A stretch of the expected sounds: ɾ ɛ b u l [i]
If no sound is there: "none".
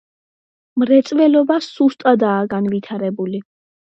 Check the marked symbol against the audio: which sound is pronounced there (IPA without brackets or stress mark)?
i